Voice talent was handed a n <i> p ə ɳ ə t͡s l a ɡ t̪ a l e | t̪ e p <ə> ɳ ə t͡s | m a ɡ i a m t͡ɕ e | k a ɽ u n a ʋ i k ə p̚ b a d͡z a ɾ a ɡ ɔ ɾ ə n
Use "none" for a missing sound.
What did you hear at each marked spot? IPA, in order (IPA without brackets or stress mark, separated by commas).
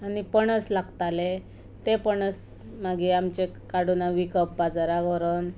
i, ə